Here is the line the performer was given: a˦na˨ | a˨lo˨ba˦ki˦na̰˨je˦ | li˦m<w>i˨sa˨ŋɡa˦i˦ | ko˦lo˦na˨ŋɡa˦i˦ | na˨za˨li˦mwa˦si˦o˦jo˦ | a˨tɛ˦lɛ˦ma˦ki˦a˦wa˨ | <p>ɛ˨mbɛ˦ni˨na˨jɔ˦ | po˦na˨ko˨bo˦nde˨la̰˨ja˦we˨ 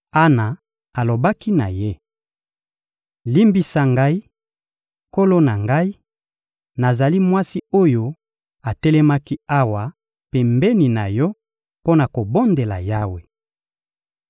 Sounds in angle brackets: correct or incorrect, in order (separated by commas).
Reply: incorrect, correct